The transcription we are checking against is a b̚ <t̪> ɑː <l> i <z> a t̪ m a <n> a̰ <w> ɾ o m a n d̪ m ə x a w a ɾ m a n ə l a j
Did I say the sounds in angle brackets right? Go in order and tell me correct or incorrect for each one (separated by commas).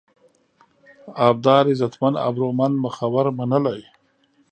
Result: incorrect, incorrect, correct, correct, incorrect